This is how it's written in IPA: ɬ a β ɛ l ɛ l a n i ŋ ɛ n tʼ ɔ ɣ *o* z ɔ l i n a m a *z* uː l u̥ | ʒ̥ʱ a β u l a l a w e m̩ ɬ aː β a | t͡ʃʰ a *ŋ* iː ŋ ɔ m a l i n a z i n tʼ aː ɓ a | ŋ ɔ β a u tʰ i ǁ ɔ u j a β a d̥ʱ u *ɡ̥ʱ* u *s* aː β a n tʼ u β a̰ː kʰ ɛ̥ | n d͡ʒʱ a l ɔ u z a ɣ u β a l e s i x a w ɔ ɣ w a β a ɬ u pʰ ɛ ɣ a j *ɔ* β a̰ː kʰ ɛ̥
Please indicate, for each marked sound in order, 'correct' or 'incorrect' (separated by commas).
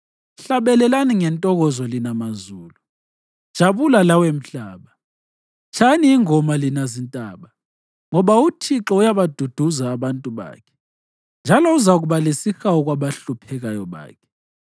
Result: incorrect, correct, incorrect, incorrect, incorrect, correct